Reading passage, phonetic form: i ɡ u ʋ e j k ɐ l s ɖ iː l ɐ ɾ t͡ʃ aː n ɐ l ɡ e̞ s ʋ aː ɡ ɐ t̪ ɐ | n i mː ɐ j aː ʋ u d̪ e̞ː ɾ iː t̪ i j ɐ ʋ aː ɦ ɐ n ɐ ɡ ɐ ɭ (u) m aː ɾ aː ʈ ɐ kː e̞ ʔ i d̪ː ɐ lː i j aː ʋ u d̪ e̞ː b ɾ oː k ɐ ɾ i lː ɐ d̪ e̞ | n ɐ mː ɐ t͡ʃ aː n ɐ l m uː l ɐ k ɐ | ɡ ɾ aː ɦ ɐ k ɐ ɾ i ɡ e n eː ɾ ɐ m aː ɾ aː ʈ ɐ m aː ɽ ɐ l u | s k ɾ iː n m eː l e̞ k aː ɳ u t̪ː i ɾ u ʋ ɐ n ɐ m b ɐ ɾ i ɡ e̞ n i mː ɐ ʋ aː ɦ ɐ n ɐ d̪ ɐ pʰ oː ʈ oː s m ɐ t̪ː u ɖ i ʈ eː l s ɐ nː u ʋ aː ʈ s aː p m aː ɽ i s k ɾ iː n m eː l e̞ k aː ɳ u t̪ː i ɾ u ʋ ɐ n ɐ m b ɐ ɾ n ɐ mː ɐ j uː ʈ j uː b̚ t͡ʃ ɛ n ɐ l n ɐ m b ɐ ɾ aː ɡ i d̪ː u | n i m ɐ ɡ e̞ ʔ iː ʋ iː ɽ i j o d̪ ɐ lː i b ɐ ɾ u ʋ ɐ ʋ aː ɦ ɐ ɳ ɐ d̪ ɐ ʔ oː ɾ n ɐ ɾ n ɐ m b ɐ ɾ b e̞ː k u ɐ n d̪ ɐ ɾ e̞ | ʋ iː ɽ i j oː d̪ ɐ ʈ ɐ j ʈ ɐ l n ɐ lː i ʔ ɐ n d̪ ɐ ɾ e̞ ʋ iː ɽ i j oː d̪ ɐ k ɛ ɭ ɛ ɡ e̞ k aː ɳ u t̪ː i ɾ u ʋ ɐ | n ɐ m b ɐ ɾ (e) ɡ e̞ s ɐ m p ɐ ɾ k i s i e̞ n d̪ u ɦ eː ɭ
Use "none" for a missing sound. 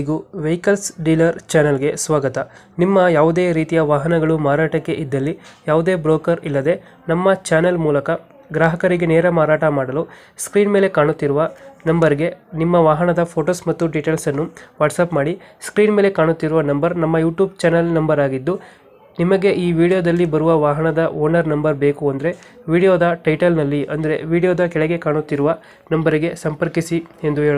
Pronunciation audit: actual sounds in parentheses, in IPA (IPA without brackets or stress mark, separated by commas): u, i